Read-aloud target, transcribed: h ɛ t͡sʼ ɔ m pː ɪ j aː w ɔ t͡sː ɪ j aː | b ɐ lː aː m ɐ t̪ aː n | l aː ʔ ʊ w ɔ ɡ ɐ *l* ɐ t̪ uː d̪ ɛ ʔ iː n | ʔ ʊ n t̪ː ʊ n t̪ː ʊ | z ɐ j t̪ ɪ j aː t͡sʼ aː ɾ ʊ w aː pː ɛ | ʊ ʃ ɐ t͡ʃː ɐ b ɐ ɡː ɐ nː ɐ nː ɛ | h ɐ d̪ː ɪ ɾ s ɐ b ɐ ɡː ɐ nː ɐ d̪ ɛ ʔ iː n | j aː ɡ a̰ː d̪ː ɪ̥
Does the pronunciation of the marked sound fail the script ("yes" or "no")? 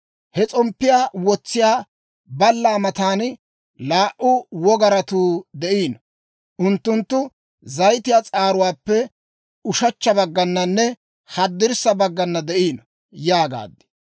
yes